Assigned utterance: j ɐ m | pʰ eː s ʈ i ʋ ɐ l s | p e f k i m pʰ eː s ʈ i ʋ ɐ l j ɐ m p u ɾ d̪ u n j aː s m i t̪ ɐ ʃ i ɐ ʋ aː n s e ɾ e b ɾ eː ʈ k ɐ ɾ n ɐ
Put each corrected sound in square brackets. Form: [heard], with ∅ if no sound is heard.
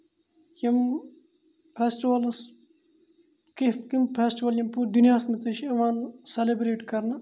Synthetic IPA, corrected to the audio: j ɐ m | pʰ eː s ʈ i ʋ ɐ l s | [k] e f k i m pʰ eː s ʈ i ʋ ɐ l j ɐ m p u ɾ d̪ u n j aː s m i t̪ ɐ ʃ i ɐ ʋ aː n s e [l] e b ɾ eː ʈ k ɐ ɾ n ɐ